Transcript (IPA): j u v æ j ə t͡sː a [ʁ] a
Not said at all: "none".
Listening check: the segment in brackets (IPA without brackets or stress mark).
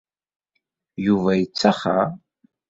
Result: χ